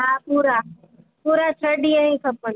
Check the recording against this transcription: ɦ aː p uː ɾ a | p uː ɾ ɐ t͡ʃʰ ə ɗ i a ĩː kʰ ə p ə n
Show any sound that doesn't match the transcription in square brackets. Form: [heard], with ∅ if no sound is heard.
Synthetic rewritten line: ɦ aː p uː ɾ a | p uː ɾ [a] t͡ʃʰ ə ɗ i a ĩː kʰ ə p ə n